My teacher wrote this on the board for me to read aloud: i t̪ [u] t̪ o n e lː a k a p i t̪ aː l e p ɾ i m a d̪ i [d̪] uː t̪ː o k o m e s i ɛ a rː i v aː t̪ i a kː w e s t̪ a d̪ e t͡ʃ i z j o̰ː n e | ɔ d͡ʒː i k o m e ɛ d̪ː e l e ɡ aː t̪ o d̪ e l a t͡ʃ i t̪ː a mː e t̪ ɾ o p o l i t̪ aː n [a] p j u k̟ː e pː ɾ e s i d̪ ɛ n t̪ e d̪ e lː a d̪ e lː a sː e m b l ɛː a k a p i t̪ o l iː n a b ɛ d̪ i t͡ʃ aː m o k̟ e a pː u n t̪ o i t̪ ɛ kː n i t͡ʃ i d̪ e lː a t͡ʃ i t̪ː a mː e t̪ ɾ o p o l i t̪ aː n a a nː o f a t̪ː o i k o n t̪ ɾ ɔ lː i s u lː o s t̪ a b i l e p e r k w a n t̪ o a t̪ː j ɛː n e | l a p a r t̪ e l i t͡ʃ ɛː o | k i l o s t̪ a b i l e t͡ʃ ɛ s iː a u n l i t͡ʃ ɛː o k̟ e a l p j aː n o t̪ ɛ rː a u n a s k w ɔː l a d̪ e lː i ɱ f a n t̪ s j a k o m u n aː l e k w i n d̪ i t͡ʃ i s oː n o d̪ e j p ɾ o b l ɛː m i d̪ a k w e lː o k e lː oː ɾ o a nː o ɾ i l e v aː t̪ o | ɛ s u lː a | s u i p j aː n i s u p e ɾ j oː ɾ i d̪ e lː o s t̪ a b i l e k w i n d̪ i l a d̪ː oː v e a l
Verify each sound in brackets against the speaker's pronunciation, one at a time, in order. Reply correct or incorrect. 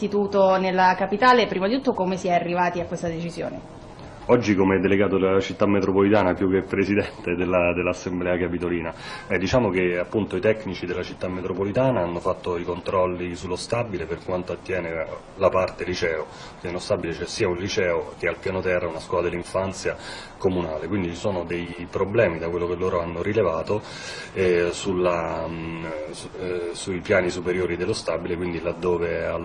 incorrect: uː, incorrect: t̪, correct

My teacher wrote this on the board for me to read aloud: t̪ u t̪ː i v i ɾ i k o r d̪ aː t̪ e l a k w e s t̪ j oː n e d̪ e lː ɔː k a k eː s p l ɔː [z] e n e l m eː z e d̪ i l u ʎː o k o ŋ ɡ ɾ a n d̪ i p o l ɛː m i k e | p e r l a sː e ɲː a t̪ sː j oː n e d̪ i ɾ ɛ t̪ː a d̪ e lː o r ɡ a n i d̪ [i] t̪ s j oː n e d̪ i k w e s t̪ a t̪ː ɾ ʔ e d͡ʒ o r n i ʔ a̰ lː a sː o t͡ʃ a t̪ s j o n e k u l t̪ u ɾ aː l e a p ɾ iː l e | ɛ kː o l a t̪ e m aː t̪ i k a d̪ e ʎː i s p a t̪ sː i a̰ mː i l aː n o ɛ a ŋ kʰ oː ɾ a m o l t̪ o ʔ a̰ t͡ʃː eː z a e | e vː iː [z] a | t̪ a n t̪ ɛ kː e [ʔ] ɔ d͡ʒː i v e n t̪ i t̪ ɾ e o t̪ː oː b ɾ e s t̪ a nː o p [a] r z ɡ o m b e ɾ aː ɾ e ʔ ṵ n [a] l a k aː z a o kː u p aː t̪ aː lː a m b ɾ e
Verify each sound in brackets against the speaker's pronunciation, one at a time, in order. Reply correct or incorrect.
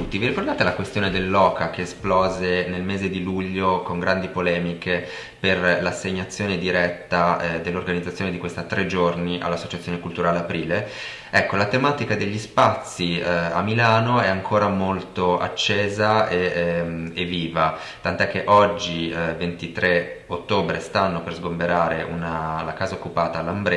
correct, incorrect: a, incorrect: v, correct, incorrect: e, correct

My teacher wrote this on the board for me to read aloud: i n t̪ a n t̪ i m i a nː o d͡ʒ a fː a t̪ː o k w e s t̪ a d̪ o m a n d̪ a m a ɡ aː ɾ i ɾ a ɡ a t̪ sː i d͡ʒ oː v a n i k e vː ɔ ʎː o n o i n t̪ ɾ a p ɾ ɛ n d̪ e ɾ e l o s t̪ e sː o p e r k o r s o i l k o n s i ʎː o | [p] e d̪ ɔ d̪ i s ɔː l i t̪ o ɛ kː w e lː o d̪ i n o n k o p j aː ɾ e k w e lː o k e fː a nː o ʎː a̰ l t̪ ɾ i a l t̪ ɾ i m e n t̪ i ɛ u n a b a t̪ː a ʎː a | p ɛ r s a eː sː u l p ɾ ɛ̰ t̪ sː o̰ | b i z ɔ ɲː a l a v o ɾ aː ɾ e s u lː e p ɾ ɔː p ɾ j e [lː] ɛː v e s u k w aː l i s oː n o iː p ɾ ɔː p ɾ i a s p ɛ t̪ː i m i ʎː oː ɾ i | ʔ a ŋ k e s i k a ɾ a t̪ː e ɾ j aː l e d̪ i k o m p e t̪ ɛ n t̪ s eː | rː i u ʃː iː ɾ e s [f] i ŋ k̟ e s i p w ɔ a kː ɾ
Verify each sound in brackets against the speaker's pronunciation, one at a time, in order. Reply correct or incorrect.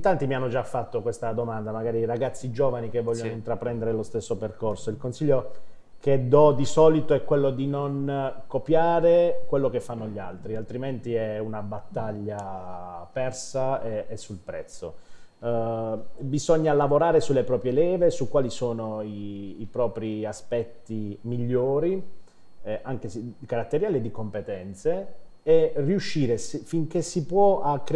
incorrect: k, incorrect: l, correct

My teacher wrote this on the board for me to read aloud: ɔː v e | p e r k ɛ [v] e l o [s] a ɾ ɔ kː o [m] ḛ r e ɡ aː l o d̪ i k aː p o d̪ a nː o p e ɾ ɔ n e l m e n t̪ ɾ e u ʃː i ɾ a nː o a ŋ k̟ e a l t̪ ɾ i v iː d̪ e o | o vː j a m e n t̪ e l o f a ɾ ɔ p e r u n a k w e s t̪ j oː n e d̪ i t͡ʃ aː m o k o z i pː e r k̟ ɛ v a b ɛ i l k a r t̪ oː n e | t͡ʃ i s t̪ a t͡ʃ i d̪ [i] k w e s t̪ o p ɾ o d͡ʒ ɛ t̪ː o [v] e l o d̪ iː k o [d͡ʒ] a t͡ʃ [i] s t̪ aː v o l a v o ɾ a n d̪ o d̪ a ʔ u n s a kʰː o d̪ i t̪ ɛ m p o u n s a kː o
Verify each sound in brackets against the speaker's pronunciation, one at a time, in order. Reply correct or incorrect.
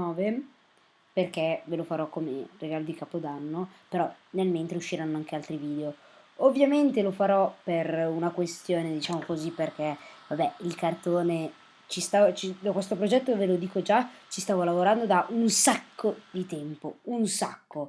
correct, incorrect: f, correct, incorrect: a, correct, correct, correct

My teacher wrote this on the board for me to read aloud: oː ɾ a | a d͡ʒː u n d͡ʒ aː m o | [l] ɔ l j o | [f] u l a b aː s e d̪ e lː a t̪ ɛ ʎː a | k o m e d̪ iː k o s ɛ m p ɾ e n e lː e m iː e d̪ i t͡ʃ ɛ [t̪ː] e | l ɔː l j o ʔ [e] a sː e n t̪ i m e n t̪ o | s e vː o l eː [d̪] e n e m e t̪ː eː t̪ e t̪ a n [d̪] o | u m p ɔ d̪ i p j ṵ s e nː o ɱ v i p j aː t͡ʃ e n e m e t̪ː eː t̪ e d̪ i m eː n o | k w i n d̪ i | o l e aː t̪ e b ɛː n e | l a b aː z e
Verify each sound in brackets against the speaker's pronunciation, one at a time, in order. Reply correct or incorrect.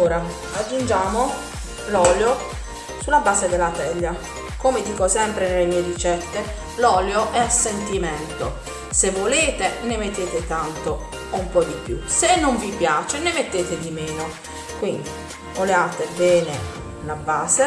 correct, incorrect: s, correct, incorrect: ɛ, incorrect: t̪, incorrect: t̪

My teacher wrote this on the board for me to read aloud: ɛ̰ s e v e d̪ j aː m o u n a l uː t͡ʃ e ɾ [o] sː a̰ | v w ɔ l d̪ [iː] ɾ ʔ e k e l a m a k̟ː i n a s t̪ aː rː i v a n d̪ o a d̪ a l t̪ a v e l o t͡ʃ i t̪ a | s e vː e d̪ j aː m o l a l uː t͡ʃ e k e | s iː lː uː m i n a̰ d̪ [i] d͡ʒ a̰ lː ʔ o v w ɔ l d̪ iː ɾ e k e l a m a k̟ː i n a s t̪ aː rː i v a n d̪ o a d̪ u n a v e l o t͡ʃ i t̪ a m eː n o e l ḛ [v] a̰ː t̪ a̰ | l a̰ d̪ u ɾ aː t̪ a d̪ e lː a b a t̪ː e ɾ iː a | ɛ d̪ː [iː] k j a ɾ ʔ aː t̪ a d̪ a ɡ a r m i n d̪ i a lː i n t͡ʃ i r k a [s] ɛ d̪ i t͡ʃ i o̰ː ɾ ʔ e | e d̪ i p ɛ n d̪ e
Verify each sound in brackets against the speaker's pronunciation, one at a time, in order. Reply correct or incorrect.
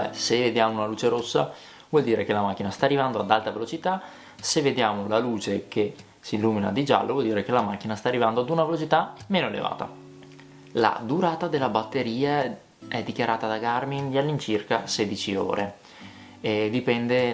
correct, correct, correct, correct, incorrect: i, correct

